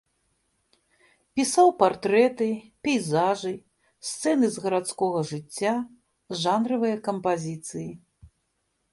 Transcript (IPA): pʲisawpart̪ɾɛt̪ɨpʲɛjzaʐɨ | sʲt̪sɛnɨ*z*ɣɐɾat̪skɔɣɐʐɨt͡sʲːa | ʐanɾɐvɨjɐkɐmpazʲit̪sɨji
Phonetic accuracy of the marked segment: correct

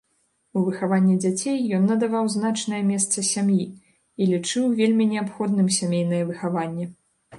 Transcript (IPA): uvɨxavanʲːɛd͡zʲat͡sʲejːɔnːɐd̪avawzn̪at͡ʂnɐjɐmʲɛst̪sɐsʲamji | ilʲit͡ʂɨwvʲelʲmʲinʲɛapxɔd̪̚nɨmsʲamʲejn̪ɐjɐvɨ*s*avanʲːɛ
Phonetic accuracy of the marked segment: incorrect: x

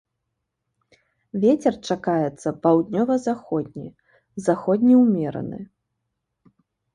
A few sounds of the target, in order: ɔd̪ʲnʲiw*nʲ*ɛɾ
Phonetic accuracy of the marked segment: incorrect: mʲ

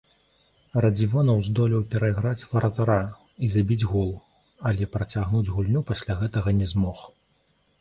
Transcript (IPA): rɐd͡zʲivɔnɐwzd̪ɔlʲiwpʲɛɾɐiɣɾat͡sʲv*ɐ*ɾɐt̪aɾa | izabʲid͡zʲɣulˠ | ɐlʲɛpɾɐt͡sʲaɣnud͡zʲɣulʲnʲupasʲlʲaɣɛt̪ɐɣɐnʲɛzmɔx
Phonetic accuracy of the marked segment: correct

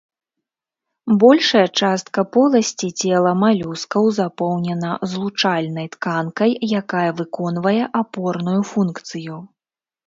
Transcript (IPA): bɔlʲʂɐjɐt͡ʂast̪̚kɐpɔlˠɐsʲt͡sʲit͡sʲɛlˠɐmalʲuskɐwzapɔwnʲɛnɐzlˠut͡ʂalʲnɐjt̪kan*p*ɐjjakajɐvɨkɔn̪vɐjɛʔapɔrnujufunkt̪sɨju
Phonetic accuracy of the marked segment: incorrect: k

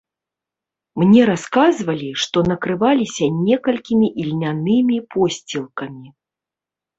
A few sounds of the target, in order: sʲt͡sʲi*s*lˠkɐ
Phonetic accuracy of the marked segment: incorrect: none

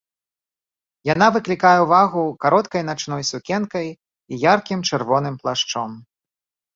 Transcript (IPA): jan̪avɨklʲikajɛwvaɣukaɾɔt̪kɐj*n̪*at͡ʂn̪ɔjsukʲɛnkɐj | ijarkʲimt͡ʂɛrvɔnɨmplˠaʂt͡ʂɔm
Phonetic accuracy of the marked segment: correct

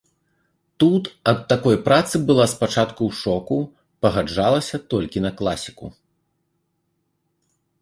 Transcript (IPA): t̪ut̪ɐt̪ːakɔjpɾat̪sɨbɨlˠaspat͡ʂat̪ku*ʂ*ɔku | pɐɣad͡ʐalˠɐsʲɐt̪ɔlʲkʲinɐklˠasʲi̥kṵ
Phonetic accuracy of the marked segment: correct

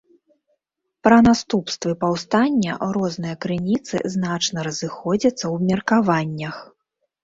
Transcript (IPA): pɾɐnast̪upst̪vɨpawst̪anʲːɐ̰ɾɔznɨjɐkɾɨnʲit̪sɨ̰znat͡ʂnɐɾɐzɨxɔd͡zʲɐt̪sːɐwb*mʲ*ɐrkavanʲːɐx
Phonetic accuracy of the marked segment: correct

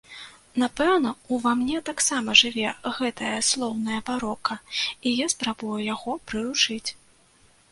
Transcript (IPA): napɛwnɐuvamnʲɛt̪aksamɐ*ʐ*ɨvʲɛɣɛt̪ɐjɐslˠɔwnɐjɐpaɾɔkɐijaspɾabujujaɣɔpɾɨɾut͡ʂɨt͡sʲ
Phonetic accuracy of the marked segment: correct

